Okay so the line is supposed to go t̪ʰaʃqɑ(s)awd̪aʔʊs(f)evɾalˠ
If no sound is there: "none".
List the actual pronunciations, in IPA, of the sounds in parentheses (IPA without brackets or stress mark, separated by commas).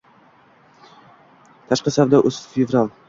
s, f